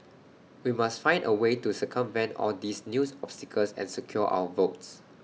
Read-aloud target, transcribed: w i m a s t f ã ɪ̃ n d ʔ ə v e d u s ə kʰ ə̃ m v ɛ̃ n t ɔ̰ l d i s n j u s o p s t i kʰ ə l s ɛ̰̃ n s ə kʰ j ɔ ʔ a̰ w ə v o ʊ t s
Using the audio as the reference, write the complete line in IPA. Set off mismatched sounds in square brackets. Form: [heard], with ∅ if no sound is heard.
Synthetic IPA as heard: w i m a s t f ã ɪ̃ n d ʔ ə [w] e [t] u s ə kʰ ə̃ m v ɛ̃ n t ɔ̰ l d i s n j u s [ɔ] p s t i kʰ ə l s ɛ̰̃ n s ə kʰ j ɔ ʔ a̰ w ə v o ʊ t s

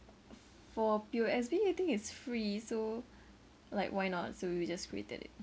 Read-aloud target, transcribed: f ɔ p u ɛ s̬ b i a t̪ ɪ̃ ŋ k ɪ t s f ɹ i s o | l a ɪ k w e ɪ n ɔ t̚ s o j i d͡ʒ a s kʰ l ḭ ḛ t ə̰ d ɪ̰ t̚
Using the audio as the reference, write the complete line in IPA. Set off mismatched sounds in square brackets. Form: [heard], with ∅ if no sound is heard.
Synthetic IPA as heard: f ɔ p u ɛ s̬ b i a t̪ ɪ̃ ŋ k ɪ t s f ɹ i s o | l a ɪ k w [a] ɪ n ɔ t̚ s o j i d͡ʒ a s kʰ [ɹ] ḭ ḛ t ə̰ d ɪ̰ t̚

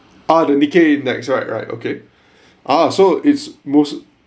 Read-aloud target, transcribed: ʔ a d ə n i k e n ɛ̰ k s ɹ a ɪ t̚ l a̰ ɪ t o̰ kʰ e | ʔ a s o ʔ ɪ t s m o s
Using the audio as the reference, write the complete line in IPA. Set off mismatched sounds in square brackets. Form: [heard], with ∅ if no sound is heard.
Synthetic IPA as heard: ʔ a d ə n i k e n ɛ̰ k s ɹ a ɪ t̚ [ɹ] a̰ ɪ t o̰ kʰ e | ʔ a s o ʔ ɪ t s m o s

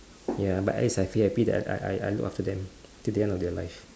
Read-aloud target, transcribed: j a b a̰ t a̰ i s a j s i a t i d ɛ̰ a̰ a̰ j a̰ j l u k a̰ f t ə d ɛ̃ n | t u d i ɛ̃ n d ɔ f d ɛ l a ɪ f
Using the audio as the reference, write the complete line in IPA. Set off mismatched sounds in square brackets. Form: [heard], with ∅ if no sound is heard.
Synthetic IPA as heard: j a b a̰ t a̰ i s a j [f] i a [p] i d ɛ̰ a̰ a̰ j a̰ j l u k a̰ f t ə d ɛ̃ [m] | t u d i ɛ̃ n d ɔ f d ɛ l a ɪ f

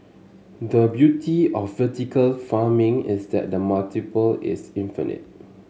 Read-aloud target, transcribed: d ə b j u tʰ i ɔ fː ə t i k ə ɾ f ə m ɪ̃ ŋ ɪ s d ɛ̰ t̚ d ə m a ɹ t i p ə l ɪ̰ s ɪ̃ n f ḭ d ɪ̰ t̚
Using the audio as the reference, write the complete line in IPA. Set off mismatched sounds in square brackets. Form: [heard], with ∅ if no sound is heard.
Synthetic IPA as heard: d ə b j u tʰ i ɔ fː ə t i k ə [l] f [a] m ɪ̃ ŋ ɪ s d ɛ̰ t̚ d ə m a [l] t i p ə l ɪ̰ s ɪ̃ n f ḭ [n] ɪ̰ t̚

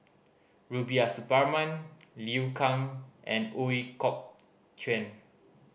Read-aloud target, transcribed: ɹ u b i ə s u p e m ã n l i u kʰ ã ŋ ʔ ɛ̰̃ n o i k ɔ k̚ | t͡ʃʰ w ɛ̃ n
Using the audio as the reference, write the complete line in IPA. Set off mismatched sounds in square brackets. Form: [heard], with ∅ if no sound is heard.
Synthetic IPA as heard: ɹ u b i [a] s u p [a] m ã n l i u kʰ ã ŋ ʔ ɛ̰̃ n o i k ɔ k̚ | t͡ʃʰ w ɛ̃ n

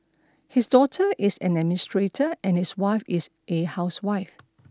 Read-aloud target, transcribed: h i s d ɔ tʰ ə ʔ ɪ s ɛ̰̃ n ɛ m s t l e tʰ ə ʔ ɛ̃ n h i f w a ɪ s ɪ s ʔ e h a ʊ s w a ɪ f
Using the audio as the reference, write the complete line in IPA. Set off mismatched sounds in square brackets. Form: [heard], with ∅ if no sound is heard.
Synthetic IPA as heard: h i s d ɔ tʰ ə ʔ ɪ s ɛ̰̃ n ɛ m s t [ɹ] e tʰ ə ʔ ɛ̃ n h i [s] w a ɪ [f] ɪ s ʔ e h a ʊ s w a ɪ f

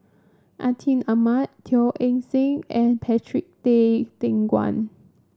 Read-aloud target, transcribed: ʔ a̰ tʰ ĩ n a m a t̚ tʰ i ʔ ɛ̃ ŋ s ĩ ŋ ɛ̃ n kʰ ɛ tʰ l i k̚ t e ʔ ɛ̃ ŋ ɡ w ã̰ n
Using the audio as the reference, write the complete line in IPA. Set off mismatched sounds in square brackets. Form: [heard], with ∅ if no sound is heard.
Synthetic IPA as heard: ʔ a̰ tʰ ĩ n a m a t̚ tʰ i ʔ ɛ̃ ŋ s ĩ ŋ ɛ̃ n [pʰ] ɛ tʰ [ɹ] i k̚ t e [t] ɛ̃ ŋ ɡ w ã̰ n

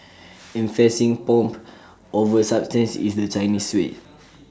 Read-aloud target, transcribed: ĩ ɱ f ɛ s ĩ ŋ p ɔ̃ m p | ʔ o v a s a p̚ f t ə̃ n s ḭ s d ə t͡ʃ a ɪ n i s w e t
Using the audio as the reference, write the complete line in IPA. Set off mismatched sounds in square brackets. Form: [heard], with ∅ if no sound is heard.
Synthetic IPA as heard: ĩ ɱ f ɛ s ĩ ŋ p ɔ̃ m p | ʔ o v [ə] s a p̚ [s] t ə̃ n s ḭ s d ə t͡ʃ a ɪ n i s w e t

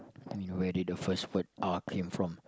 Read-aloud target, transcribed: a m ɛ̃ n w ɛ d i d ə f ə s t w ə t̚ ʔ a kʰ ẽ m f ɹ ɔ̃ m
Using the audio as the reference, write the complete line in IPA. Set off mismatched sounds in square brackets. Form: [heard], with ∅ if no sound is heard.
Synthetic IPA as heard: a m [ĩ] n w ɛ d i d ə f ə s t w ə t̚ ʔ a kʰ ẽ m f ɹ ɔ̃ m

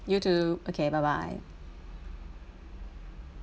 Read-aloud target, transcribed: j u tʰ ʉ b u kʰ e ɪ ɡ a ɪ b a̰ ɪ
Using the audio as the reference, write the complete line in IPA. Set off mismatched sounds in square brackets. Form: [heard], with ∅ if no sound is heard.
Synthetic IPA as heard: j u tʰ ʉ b [o] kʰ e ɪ [b] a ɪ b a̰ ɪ

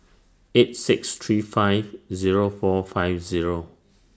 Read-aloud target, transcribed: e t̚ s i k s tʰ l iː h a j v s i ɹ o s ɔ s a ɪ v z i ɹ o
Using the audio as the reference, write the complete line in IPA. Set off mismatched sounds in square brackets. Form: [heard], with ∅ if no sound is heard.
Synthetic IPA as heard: e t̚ s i k s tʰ [ɹ] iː [f] a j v [z] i ɹ o [f] ɔ [f] a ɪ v z i ɹ o

